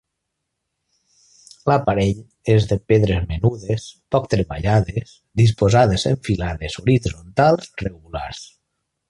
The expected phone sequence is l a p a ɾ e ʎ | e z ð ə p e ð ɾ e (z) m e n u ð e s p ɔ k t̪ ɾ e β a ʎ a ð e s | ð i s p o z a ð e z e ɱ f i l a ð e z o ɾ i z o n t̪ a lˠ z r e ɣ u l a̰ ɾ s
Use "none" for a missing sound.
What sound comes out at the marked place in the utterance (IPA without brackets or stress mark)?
z